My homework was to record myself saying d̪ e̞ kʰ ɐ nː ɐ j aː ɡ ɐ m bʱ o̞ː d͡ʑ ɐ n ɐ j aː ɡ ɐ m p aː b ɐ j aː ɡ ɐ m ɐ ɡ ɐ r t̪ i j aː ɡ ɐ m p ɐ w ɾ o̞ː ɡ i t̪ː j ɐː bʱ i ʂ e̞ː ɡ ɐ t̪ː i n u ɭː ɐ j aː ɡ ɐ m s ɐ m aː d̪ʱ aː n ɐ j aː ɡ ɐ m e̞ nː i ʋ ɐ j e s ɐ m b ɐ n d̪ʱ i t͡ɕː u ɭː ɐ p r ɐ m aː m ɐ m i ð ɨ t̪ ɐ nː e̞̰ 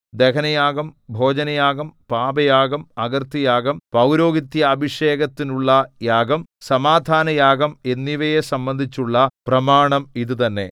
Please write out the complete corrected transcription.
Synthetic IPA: d̪ e̞ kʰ ɐ n ɐ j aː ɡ ɐ m bʱ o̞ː d͡ʑ ɐ n ɐ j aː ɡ ɐ m p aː b ɐ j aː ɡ ɐ m ɐ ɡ ɐ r t̪ i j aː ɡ ɐ m p ɐ w ɾ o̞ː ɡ i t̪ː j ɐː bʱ i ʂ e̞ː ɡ ɐ t̪ː i n u ɭː ɐ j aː ɡ ɐ m s ɐ m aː d̪ʱ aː n ɐ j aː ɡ ɐ m e̞ nː i ʋ ɐ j e s ɐ m b ɐ n d̪ʱ i t͡ɕː u ɭː ɐ p r ɐ m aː ɳ ɐ m i ð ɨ t̪ ɐ nː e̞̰